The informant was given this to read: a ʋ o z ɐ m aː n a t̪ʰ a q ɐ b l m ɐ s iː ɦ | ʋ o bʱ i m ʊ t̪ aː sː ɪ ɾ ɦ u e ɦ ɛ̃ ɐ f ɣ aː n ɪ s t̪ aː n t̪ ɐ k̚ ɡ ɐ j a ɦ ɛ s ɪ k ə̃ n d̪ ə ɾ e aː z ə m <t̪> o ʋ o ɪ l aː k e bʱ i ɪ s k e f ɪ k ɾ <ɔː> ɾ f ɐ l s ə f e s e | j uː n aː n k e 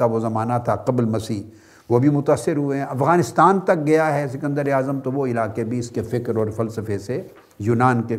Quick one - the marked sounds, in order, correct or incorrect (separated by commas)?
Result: correct, correct